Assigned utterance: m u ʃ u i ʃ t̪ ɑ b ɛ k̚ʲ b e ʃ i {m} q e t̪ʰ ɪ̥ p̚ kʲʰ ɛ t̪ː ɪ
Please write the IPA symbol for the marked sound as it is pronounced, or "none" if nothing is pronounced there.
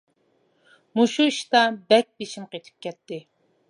m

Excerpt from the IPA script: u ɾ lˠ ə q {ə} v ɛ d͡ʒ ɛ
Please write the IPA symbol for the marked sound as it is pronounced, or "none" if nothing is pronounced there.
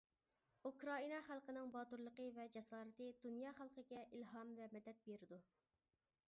ə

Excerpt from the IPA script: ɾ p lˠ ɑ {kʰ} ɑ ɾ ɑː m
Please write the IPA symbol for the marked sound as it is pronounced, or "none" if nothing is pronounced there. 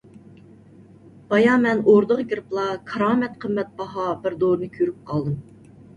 kʰ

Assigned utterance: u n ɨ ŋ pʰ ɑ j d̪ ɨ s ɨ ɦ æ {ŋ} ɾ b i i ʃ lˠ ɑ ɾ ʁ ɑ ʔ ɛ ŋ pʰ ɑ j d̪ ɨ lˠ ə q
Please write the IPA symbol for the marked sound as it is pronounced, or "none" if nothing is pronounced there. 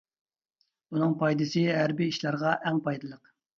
none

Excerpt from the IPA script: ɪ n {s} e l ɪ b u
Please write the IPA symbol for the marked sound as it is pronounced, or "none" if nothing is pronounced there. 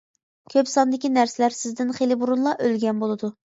χ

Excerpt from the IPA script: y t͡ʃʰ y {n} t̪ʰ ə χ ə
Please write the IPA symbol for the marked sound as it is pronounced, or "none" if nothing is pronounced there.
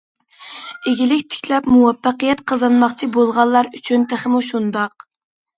n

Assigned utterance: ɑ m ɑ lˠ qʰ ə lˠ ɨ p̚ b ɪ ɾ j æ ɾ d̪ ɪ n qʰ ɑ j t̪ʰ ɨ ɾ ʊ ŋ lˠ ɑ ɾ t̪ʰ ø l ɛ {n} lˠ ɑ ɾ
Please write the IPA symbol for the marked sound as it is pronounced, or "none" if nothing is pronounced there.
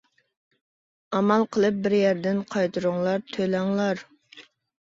ŋ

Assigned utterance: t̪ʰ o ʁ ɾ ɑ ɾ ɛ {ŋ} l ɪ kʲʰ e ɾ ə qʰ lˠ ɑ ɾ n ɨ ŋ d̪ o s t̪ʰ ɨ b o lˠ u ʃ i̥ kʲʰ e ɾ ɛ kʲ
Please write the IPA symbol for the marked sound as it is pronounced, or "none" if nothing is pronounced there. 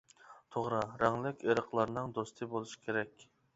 ŋ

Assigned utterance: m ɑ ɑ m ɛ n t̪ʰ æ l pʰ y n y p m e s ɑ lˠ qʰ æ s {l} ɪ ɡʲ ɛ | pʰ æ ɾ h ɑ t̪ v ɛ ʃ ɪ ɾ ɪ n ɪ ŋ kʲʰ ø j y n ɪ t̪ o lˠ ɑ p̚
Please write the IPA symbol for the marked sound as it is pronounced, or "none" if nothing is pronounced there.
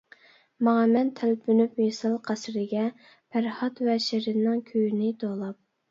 ɾ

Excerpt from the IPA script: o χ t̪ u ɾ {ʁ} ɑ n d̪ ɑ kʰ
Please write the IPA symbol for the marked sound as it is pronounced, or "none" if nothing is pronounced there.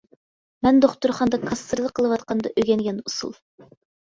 χ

